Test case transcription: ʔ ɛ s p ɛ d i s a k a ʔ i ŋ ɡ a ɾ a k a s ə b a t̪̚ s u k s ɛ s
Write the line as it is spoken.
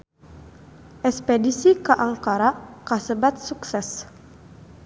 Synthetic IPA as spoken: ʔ ɛ s p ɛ d i s i k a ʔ a ŋ k a ɾ a k a s ə b a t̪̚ s u k s ɛ s